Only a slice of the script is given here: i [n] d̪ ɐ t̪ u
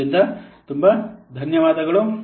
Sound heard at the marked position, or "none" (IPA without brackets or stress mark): n